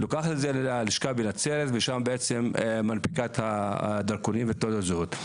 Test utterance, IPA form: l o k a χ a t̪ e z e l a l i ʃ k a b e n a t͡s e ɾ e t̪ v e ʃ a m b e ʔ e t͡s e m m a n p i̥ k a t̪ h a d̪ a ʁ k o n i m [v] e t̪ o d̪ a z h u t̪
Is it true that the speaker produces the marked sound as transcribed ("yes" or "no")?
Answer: yes